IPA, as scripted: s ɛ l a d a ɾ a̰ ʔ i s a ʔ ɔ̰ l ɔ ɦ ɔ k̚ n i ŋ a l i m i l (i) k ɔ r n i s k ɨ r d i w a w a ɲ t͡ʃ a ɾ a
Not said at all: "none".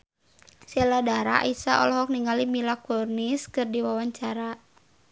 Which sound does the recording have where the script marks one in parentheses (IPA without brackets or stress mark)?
a